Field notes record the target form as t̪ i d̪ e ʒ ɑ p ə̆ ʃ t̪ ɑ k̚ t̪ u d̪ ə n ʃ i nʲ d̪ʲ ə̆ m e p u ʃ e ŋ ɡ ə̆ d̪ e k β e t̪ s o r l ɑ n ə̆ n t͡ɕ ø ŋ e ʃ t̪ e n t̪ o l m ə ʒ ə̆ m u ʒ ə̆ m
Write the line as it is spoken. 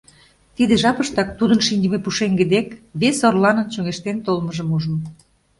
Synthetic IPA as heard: t̪ i d̪ e ʒ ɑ p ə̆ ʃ t̪ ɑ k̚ t̪ u d̪ ə n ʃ i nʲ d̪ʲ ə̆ m e p u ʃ e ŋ ɡ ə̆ d̪ e k β e s o r l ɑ n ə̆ n t͡ɕ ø ŋ e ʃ t̪ e n t̪ o l m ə ʒ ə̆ m u ʒ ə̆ m